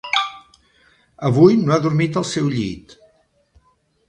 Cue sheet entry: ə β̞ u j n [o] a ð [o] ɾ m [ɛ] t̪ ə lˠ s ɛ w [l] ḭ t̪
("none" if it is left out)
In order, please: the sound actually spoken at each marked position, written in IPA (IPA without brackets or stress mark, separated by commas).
o, u, i, ʎ